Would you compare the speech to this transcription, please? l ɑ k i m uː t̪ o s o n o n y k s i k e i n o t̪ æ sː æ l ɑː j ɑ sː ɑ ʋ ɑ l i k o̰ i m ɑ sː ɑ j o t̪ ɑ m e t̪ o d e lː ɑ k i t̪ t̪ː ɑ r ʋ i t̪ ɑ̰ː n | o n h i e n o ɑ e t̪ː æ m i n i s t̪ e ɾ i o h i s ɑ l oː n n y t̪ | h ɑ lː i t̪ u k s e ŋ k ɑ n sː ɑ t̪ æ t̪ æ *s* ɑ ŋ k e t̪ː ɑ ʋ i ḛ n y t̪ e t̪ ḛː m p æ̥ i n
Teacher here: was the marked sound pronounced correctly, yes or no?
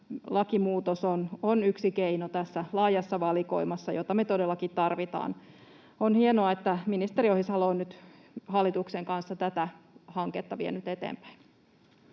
no